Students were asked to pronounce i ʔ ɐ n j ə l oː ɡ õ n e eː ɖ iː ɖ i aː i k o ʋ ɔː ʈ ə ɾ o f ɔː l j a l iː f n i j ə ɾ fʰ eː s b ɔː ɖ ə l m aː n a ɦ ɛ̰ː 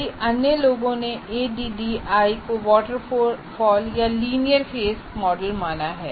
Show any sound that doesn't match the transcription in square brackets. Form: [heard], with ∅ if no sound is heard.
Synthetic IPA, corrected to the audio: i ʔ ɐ n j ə l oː ɡ õ n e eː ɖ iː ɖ i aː i k o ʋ ɔː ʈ ə ɾ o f ɔː l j a l iː [∅] n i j ə ɾ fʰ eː s [m] ɔː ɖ ə l m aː n a ɦ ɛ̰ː